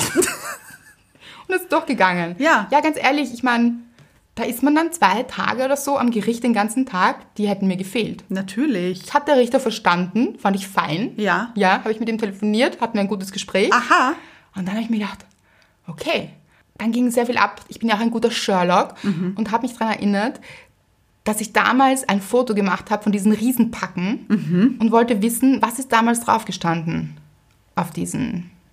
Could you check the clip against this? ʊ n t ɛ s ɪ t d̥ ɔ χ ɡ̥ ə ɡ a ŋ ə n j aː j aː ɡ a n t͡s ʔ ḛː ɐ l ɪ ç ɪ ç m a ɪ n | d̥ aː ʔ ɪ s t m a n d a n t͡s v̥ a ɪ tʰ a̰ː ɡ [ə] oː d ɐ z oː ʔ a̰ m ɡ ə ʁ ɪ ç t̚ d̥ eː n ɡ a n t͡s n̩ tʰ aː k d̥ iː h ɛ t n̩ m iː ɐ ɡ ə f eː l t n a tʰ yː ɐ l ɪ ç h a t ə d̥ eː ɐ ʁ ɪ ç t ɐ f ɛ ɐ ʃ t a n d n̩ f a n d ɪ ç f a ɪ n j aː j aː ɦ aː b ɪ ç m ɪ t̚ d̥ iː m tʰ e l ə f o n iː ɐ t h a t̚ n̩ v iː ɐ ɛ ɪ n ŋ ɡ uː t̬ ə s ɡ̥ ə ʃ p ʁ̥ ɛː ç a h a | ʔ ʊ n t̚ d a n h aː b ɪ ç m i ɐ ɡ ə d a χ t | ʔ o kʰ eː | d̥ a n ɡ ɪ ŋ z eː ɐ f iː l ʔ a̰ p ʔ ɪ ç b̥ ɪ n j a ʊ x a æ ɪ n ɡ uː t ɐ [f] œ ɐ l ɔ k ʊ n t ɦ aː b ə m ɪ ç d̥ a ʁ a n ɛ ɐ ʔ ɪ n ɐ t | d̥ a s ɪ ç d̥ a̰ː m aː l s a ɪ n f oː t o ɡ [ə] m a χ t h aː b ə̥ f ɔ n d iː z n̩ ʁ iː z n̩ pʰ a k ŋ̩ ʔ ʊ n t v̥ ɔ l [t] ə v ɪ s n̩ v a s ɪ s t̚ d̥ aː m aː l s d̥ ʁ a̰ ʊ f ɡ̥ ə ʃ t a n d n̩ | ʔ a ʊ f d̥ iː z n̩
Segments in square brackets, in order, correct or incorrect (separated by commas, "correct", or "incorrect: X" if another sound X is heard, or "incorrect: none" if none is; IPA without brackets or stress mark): correct, incorrect: ʃ, correct, correct